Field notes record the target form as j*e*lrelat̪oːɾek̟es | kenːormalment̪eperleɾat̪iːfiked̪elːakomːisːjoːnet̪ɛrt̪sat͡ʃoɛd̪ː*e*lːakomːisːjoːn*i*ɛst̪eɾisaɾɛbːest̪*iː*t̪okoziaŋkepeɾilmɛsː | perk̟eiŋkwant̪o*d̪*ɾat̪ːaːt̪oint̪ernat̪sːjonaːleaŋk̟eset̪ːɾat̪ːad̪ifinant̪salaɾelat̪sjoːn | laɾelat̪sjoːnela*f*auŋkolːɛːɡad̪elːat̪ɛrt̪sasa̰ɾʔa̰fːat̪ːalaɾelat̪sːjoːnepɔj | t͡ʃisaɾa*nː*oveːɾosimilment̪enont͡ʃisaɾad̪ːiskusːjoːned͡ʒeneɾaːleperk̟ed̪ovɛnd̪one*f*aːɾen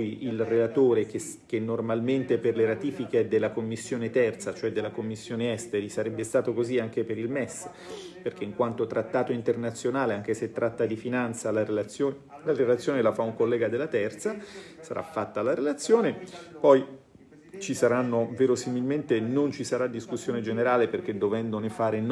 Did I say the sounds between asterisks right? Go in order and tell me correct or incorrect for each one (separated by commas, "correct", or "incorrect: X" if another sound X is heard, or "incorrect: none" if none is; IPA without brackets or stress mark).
incorrect: i, correct, incorrect: e, incorrect: aː, incorrect: t̪, correct, correct, correct